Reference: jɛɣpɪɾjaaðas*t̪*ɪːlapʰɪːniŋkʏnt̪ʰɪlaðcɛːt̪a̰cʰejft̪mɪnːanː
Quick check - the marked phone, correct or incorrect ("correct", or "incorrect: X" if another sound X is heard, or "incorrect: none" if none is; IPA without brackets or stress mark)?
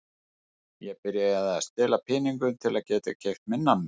correct